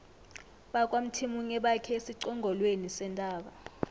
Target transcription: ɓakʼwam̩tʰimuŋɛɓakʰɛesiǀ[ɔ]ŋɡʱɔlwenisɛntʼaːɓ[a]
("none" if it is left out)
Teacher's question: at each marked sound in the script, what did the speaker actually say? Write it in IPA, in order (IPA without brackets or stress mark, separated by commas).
ɔ, a